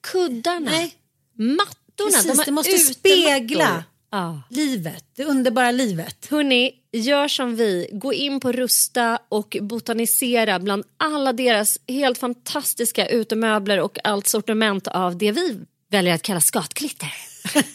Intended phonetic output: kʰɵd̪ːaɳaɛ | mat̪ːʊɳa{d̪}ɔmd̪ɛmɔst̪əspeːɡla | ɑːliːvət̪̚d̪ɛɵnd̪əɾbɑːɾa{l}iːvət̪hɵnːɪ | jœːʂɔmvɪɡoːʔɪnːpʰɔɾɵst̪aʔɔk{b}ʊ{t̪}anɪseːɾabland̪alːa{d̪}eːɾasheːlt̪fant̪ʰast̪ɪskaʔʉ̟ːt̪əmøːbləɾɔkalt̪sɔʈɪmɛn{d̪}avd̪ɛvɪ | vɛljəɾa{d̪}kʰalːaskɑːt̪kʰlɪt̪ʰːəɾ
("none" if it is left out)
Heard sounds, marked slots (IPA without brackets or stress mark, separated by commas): d̪, l, b, t̪, d̪, t̪, t̪